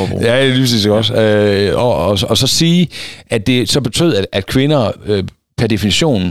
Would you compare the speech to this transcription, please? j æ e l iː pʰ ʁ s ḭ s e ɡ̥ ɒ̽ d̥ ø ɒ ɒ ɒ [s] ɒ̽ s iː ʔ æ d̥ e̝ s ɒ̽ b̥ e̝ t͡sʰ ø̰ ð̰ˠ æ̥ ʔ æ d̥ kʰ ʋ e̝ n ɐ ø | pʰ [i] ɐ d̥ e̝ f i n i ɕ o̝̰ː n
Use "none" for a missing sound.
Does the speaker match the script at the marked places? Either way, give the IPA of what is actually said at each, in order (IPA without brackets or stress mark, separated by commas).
s, æ